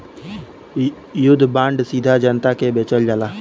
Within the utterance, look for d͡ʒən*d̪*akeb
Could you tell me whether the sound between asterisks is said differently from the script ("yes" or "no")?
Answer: yes